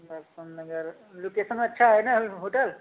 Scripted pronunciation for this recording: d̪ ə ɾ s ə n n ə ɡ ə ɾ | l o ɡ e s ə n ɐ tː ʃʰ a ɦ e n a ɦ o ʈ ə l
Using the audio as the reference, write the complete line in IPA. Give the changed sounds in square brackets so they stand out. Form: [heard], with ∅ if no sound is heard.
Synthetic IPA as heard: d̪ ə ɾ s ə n n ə ɡ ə ɾ | l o [k] e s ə n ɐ tː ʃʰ a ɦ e n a ɦ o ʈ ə l